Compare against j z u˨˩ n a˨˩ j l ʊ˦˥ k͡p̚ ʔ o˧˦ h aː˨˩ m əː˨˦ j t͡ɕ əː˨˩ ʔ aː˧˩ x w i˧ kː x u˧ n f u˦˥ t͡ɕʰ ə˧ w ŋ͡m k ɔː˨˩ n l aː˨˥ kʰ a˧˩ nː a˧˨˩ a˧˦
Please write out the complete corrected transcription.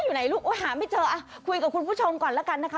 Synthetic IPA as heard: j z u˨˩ n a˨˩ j l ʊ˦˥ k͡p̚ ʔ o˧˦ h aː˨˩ m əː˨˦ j t͡ɕ əː˨˩ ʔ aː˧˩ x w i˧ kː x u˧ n f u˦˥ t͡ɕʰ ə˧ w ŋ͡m k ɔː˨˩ n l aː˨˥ k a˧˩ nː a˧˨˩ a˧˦